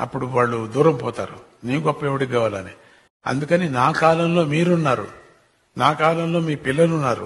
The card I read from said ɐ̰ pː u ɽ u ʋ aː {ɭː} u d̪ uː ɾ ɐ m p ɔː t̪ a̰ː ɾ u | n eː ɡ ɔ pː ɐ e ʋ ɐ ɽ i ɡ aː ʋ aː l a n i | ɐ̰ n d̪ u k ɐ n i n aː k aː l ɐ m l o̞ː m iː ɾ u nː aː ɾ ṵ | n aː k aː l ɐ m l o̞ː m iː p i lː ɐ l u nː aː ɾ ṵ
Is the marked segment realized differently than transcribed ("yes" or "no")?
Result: no